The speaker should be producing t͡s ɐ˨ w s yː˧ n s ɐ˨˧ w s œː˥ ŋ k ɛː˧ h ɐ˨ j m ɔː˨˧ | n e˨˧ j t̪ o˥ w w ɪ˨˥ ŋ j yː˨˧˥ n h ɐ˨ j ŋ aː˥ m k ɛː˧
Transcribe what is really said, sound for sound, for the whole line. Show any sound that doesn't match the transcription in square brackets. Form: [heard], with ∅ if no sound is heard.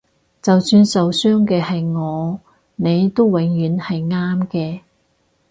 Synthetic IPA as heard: t͡s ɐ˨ w s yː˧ n s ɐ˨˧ w s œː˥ ŋ k ɛː˧ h ɐ˨ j [ŋ] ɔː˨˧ | n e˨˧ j t̪ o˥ w w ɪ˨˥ ŋ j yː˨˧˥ n h ɐ˨ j ŋ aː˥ m k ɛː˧